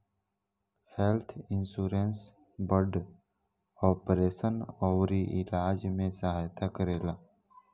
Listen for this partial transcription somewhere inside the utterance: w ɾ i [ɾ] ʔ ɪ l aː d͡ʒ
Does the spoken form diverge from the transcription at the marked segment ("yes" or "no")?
yes